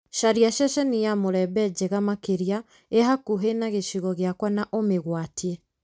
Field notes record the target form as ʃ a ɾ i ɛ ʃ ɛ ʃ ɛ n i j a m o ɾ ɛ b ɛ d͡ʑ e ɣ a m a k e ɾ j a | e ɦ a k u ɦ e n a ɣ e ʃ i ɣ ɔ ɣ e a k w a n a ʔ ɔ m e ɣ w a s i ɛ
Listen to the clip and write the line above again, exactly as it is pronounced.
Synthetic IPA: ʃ a ɾ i a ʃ ɛ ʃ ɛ n i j a m o ɾ ɛ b ɛ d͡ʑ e ɣ a m a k e ɾ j a | e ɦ a k u ɦ e n a ɣ e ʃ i ɣ ɔ ɣ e a k w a n a ʔ o m e ɣ w a t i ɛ